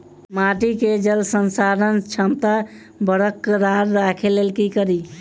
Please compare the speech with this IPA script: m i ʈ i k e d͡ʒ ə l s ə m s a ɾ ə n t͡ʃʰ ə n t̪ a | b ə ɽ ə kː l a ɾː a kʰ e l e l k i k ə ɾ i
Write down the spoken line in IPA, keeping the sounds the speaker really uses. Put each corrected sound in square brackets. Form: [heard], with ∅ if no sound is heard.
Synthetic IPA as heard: m [a] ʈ i k e d͡ʒ ə l s ə [n] s a ɾ ə n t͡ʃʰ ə [m] t̪ a | b ə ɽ ə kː [ɾ] a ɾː a kʰ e l e l k i k ə ɾ i